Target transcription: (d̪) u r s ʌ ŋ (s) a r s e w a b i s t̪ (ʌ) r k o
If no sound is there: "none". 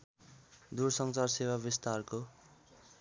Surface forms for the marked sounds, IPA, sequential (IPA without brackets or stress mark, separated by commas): d̪, t͡s, a